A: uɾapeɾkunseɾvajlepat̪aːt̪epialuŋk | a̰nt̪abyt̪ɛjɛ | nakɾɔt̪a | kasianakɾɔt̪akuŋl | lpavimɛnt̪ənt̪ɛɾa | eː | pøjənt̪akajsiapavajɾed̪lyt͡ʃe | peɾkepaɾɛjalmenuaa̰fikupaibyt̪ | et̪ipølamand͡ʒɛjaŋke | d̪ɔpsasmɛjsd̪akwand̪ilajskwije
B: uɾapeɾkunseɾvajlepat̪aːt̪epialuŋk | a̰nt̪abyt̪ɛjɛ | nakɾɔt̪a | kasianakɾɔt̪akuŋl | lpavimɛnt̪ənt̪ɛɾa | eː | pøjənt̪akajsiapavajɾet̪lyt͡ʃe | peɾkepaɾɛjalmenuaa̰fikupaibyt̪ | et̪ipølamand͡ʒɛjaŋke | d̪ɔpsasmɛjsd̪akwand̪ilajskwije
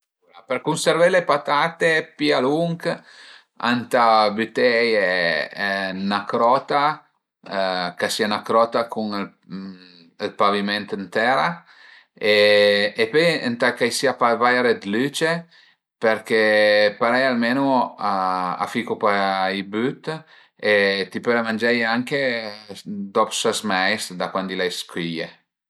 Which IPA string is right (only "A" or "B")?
A